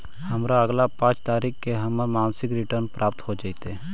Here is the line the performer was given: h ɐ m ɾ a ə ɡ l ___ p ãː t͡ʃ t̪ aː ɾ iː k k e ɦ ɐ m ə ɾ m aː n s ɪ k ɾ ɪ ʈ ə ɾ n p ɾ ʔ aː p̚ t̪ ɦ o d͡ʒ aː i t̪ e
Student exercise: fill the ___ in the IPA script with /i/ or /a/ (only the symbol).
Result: a